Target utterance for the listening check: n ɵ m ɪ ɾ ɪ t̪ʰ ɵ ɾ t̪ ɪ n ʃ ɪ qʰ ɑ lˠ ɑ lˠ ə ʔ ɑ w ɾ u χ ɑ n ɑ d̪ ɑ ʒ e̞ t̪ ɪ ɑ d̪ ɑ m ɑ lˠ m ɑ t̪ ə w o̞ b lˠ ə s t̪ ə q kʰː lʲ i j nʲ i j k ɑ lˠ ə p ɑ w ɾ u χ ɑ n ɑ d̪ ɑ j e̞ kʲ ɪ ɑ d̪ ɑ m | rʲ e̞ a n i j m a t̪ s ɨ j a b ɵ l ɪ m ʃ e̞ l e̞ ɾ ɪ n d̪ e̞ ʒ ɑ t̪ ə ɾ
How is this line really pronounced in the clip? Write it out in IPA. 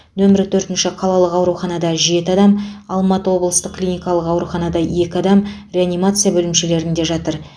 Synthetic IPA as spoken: n ɵ m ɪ ɾ ɪ t̪ʰ ɵ ɾ t̪ ɪ n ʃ ɪ qʰ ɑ lˠ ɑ lˠ ə q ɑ w ɾ u χ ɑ n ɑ d̪ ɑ ʒ e̞ t̪ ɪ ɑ d̪ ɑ m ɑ lˠ m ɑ t̪ ə w o̞ b lˠ ə s t̪ ə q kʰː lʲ i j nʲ i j k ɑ lˠ ə q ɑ w ɾ u χ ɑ n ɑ d̪ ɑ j e̞ kʲ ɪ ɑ d̪ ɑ m | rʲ e̞ a n i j m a t̪ s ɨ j a b ɵ l ɪ m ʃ e̞ l e̞ ɾ ɪ n d̪ e̞ ʒ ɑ t̪ ə ɾ